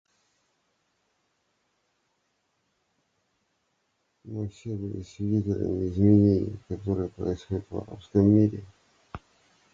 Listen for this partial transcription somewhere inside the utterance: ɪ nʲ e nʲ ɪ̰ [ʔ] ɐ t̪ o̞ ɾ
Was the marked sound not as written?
yes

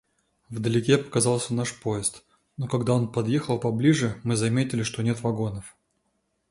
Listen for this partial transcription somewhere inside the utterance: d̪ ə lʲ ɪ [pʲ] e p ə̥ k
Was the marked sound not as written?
yes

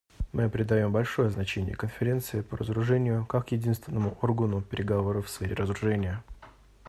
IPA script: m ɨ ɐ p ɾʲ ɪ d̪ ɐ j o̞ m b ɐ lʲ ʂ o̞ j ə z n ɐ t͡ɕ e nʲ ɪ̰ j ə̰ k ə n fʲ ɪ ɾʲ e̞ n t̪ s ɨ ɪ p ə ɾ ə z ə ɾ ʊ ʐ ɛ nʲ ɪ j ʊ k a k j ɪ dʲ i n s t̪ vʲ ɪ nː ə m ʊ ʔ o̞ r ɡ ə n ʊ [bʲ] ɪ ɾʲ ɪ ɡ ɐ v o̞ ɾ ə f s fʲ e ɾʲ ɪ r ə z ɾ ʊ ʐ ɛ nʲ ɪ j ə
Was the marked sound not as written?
yes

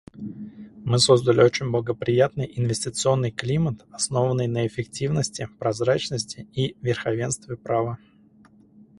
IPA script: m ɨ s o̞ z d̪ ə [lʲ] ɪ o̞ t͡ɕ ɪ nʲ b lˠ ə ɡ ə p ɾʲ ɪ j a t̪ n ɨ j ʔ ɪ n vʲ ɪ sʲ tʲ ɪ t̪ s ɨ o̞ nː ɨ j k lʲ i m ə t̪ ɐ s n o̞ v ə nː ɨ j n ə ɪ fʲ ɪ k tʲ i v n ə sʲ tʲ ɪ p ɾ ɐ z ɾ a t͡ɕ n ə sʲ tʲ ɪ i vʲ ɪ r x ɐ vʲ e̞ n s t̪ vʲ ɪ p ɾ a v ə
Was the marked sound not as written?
no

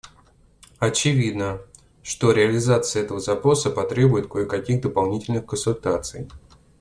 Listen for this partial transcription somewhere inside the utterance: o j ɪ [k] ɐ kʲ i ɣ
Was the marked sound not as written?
no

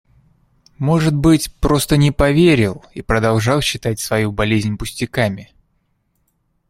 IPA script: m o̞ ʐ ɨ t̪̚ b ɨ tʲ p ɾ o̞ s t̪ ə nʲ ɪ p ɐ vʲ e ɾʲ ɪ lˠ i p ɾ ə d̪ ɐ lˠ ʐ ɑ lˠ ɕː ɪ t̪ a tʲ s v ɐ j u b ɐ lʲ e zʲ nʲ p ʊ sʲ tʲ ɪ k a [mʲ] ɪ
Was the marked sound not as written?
no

